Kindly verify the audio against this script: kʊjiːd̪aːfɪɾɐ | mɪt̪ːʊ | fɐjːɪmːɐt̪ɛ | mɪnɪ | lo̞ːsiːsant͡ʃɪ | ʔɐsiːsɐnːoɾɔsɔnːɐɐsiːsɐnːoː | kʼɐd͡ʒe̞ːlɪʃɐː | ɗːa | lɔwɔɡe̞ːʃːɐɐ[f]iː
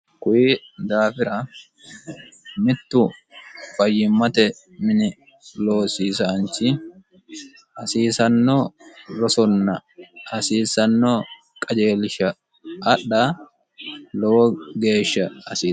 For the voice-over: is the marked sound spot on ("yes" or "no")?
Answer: no